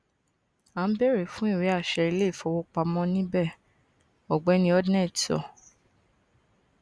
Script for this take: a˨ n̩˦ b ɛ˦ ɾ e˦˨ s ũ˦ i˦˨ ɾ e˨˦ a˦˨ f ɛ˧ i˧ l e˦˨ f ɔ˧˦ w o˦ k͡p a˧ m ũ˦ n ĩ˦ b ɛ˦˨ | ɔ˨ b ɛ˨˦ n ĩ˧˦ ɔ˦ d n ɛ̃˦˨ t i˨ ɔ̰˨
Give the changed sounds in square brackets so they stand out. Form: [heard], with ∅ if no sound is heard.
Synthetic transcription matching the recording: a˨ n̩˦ b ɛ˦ ɾ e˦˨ [f] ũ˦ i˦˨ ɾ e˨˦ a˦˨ [ʃ] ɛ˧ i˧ l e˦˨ f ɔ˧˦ w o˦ k͡p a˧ m [ɔ̃˦] n ĩ˦ b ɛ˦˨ | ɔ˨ [ɡ͡b] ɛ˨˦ n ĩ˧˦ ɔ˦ d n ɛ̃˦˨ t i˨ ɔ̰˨